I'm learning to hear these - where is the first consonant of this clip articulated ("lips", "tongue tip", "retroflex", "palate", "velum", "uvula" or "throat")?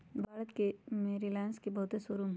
lips